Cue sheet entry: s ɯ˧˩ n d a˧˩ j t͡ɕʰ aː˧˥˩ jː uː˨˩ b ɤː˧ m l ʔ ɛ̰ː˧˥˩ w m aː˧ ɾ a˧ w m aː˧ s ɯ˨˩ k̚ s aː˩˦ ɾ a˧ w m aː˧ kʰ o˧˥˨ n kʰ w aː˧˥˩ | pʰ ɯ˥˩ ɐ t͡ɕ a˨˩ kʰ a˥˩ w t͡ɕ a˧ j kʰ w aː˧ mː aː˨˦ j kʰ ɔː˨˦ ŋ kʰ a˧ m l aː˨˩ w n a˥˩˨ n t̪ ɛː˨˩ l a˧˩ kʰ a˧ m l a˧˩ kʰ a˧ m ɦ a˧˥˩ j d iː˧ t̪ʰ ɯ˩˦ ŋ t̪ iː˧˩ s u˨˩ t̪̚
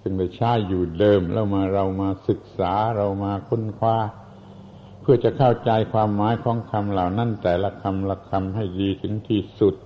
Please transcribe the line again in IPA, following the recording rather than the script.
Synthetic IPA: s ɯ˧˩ ŋ d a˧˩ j t͡ɕʰ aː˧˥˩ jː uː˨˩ d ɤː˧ m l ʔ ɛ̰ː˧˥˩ w m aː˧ ɾ a˧ w m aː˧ s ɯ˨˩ k̚ s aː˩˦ ɾ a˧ w m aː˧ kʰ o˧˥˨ n kʰ w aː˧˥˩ | pʰ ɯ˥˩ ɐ t͡ɕ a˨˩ kʰ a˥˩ w t͡ɕ a˧ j kʰ w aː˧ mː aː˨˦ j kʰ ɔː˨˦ ŋ kʰ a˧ m l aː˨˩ w n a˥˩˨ n t̪ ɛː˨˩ l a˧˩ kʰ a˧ m l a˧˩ kʰ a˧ m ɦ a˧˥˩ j d iː˧ t̪ʰ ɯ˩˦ ŋ t̪ʰ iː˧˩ s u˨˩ t̪̚